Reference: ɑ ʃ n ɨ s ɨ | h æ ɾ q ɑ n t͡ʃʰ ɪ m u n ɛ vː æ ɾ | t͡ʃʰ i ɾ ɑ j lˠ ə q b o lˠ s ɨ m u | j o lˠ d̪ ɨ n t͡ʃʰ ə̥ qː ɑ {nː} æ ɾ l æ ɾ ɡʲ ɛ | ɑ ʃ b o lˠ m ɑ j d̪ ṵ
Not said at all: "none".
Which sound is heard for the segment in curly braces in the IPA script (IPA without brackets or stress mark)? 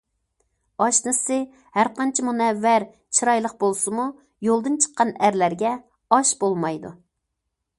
n